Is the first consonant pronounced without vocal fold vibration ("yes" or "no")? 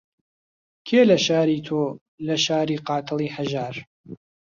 yes